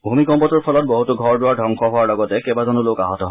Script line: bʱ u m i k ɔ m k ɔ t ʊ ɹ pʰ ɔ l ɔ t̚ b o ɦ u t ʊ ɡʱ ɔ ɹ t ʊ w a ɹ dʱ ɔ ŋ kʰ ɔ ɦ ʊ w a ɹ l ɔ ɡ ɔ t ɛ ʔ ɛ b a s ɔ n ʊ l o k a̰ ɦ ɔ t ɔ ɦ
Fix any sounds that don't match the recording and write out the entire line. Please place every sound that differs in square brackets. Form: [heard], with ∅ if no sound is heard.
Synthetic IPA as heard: bʱ u m i k ɔ m [p] ɔ t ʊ ɹ pʰ ɔ l ɔ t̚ b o ɦ u t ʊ ɡʱ ɔ ɹ [d] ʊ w a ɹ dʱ ɔ ŋ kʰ ɔ ɦ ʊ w a ɹ l ɔ ɡ ɔ t ɛ [k] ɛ b a [z] ɔ n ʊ l o k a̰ ɦ ɔ t ɔ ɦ